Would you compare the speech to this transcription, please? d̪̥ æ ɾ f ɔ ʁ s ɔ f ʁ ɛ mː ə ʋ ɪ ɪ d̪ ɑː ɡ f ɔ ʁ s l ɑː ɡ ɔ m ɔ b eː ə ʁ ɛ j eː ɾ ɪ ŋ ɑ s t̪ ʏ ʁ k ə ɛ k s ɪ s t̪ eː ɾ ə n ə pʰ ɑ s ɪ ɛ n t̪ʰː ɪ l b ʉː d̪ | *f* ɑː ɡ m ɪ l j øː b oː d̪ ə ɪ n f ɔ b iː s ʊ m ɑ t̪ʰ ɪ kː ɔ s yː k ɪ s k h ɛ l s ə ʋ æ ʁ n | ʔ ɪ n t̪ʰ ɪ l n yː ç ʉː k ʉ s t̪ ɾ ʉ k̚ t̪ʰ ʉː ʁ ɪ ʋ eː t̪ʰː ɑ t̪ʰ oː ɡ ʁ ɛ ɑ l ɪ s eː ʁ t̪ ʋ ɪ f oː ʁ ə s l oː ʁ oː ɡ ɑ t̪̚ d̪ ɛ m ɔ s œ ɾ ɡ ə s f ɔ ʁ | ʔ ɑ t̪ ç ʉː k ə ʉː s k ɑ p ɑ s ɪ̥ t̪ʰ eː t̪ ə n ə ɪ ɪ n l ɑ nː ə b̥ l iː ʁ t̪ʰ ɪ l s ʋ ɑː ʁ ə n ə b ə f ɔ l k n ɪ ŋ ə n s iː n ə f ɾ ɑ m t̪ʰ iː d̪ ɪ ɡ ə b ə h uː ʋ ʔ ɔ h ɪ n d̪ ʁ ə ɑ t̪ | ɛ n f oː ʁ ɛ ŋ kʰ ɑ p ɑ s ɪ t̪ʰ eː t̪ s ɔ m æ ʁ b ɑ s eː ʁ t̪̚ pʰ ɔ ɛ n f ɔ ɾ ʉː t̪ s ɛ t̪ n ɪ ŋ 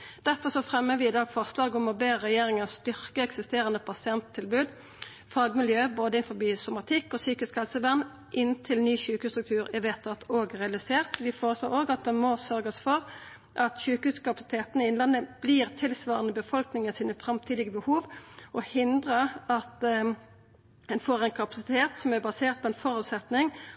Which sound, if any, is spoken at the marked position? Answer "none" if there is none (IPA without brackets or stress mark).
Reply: f